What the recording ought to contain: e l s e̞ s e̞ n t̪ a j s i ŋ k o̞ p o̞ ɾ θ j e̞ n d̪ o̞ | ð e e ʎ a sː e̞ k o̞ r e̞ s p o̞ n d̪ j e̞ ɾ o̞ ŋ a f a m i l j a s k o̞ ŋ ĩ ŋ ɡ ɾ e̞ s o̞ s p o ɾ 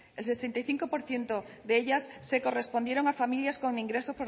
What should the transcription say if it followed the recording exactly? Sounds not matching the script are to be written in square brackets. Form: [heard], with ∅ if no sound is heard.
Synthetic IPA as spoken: e l s e̞ s e̞ n t̪ a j [θ] i ŋ k o̞ p o̞ ɾ θ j e̞ n [t̪] o̞ | ð e e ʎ a sː e̞ k o̞ r e̞ s p o̞ n d̪ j e̞ ɾ o̞ ŋ a f a m i l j a s k o̞ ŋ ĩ ŋ ɡ ɾ e̞ s o̞ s p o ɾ